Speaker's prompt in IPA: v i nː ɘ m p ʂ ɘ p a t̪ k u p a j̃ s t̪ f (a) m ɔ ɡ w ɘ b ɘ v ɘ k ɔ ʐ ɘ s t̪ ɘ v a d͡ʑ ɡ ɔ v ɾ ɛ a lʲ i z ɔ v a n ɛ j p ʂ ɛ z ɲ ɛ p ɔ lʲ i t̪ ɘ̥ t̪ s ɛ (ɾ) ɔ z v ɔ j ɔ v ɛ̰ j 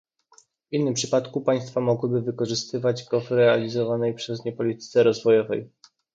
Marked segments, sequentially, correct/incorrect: correct, correct

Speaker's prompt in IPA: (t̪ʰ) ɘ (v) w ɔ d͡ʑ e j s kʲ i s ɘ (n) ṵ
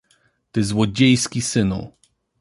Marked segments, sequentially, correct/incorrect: incorrect: t̪, incorrect: z, correct

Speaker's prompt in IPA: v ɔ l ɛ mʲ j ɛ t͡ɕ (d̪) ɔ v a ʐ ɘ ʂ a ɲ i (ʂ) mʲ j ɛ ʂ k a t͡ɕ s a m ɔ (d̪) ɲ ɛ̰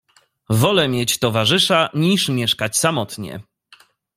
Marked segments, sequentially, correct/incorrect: incorrect: t̪, correct, incorrect: t̪

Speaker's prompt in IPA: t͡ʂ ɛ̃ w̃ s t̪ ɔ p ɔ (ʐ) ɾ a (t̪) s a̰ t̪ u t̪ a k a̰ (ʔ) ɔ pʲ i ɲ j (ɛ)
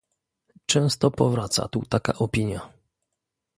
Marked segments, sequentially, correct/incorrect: incorrect: v, correct, correct, incorrect: a

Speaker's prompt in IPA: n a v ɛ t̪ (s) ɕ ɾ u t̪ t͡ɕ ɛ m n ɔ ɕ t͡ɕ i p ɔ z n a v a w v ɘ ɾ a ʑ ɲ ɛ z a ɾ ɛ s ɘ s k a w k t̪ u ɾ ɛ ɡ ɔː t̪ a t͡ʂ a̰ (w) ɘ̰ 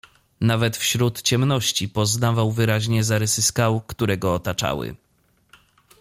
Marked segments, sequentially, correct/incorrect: incorrect: f, correct

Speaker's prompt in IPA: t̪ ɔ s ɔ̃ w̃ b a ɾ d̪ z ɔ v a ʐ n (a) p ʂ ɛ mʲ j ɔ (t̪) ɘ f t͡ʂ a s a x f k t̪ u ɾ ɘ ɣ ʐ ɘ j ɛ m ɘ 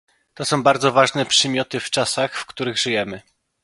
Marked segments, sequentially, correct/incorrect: incorrect: ɛ, correct

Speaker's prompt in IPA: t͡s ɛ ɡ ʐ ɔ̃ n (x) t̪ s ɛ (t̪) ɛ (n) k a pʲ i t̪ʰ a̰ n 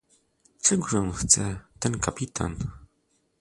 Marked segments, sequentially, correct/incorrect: correct, correct, correct

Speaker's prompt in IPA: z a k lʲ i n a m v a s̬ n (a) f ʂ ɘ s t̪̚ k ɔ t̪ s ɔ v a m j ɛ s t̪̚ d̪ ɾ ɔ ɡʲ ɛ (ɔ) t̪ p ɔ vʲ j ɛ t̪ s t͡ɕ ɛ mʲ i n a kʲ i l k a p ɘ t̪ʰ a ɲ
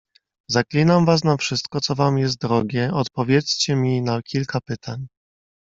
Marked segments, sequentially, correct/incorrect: correct, correct

